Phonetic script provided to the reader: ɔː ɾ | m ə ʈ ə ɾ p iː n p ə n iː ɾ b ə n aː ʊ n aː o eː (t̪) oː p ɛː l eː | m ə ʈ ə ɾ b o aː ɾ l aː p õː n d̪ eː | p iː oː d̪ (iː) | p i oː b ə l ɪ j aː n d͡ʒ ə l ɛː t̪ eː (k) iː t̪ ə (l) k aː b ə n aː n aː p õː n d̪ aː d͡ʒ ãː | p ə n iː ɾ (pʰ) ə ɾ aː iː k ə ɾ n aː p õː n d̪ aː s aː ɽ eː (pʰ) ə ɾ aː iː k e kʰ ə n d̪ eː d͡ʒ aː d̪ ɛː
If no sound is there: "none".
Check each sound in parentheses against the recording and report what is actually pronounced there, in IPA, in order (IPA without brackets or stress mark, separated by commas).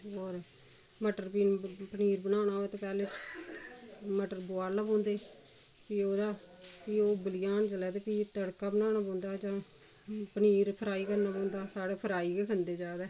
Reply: t̪, aː, p, ɽ, pʰ, pʰ